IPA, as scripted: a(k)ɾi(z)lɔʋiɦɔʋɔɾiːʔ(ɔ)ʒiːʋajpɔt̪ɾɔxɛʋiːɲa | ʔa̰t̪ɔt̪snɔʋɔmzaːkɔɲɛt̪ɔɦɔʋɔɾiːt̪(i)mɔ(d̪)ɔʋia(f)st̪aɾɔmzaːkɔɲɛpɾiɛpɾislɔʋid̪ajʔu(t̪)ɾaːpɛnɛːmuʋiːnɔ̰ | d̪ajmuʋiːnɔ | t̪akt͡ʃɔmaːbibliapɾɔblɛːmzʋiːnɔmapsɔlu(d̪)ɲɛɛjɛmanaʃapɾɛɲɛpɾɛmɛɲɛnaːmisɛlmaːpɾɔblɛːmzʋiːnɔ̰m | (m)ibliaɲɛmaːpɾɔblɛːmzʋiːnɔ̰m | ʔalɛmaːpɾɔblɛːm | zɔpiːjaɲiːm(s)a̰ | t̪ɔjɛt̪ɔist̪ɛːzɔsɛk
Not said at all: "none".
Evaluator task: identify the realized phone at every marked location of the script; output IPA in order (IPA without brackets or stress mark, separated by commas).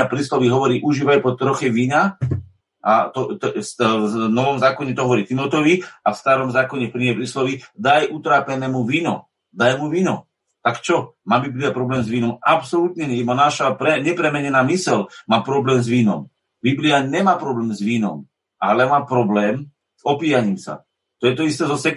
p, s, u, i, t̪, f, t̪, t̪, b, s